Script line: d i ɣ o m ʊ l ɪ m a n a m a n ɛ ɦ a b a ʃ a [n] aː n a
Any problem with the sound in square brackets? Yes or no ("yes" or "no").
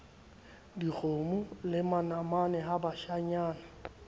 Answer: yes